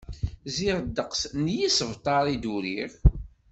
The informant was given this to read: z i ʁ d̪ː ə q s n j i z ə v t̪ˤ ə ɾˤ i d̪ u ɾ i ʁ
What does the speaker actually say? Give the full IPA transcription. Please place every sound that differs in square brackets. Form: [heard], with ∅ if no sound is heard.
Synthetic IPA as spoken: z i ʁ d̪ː ə q s n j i [s] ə v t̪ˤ [ɑ] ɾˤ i d̪ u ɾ i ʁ